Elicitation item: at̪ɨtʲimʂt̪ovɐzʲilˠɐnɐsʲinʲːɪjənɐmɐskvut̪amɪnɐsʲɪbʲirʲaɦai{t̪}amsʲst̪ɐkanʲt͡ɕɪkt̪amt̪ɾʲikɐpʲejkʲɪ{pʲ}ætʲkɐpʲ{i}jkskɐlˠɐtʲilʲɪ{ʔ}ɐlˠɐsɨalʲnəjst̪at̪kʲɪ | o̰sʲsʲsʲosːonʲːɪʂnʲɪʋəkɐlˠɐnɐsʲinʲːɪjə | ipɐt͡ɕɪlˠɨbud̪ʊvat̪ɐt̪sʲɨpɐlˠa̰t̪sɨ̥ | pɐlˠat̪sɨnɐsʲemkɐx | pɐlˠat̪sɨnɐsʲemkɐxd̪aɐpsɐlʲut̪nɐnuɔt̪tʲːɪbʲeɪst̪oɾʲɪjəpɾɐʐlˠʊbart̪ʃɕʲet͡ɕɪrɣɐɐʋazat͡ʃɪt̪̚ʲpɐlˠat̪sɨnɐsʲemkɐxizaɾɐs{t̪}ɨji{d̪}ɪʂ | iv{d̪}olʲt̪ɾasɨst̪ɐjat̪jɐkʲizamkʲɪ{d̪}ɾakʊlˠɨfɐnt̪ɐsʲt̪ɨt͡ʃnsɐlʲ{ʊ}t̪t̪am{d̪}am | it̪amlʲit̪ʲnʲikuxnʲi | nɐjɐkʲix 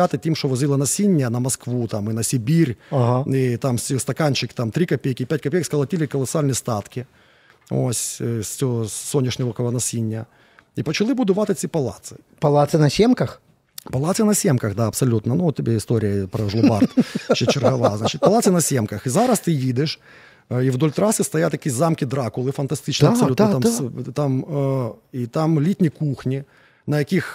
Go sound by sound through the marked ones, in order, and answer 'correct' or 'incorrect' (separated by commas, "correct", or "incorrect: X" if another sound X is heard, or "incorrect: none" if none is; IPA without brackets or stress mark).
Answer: correct, correct, incorrect: e, incorrect: k, correct, correct, correct, correct, incorrect: u, incorrect: t̪